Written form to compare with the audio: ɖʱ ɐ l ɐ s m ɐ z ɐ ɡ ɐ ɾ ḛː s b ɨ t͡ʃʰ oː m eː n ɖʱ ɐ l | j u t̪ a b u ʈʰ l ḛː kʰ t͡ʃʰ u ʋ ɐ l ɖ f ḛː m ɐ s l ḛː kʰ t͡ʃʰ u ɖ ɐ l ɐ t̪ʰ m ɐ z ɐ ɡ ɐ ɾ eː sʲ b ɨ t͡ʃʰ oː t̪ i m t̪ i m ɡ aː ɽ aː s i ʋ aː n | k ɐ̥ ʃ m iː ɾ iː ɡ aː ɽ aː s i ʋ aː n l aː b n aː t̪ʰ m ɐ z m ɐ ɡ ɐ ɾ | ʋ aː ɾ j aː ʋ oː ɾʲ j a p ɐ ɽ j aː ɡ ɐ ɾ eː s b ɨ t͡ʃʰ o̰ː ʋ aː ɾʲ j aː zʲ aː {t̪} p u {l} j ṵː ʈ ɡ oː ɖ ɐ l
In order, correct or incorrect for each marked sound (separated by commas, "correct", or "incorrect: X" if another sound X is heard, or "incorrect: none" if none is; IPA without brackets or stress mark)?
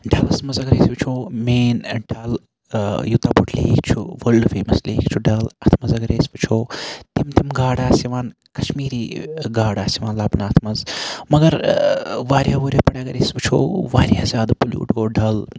incorrect: d̪, correct